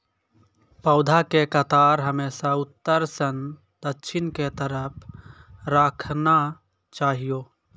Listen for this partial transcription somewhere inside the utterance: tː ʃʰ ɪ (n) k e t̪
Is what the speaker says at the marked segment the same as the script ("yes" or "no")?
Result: yes